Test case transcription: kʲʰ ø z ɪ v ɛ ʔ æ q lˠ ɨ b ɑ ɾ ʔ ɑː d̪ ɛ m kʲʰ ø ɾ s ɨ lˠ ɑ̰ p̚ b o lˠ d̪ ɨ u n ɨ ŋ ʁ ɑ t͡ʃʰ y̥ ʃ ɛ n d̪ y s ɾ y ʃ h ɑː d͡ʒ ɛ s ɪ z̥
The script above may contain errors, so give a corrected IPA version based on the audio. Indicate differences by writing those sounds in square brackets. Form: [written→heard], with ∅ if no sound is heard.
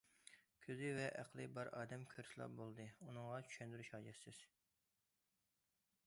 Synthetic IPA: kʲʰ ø z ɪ v ɛ ʔ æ q lˠ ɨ b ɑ ɾ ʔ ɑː d̪ ɛ m kʲʰ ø ɾ s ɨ lˠ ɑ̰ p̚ b o lˠ d̪ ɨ u n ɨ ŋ ʁ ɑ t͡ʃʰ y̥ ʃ ɛ n d̪ y [s→∅] ɾ y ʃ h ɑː d͡ʒ ɛ s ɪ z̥